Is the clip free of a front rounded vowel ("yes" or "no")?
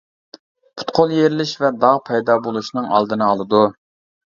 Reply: yes